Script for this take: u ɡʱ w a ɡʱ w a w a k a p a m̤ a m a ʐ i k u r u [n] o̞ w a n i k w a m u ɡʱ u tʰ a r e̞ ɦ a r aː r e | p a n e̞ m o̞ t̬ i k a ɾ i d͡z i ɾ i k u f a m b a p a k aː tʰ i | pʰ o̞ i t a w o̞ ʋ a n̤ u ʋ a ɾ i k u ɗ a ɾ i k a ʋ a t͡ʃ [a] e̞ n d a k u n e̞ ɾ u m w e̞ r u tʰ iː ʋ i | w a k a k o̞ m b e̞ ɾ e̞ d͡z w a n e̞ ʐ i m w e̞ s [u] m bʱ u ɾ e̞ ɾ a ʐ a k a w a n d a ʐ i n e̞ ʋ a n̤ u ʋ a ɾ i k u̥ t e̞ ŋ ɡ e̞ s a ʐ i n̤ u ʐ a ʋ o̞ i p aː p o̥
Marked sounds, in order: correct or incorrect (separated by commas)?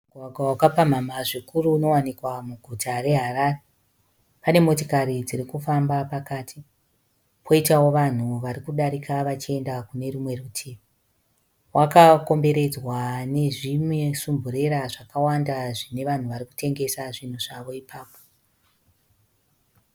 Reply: correct, incorrect, correct